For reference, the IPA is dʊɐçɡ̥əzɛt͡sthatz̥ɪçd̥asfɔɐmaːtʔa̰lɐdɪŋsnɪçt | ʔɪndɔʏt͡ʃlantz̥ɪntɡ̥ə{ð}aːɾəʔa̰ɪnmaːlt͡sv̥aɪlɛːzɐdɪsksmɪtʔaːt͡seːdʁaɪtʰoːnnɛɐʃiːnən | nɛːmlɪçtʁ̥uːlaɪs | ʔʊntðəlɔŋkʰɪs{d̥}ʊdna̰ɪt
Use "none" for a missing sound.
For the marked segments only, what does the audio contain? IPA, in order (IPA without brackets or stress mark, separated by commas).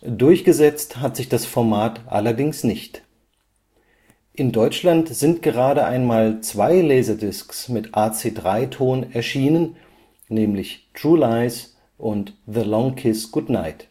ʁ, ɡ̥